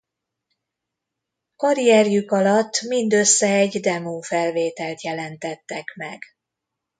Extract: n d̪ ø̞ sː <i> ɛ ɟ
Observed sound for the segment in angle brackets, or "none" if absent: ɛ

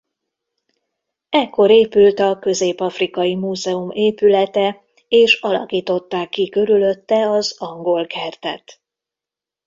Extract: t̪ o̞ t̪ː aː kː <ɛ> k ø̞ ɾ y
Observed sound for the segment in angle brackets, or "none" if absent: i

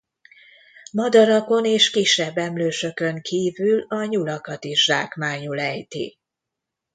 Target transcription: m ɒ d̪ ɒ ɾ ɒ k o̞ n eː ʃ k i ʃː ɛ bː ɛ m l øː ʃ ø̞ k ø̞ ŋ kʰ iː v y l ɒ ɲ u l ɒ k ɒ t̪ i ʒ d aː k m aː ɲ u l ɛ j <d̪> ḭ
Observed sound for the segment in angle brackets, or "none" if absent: t̪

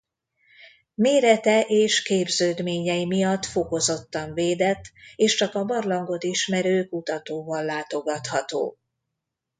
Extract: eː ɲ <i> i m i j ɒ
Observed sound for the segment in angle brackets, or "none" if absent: ɛ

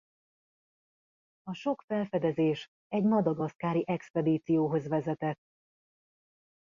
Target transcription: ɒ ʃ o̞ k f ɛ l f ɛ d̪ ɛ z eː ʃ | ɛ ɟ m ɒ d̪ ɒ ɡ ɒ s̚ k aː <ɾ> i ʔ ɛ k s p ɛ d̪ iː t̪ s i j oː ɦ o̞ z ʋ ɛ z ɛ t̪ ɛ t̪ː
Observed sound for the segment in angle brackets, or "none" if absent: ɾ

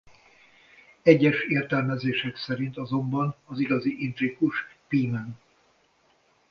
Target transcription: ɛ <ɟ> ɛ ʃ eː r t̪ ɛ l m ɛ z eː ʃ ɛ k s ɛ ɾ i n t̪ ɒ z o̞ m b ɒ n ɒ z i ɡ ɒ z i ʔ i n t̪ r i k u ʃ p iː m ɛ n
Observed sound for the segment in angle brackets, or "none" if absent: ɟː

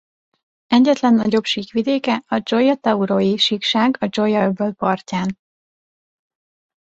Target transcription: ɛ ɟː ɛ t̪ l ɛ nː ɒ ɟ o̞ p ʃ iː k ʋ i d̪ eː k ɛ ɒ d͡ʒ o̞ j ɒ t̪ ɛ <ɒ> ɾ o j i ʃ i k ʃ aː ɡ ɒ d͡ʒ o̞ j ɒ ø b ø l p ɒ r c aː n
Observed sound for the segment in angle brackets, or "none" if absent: u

